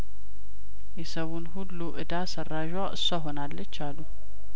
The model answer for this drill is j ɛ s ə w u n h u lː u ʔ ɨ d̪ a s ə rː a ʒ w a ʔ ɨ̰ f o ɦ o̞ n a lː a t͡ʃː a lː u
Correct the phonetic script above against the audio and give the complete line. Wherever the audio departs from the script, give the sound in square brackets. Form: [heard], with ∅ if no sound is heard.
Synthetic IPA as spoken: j ɛ s ə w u n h u lː u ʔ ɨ d̪ a s ə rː a ʒ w a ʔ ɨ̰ [s] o ɦ o̞ n a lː [ə] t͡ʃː a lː u